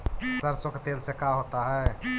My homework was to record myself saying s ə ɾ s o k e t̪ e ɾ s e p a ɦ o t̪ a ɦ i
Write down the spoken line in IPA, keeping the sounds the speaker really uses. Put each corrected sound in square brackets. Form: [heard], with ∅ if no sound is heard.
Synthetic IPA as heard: s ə ɾ s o k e t̪ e [l] s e [k] a ɦ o t̪ a ɦ [ɛ]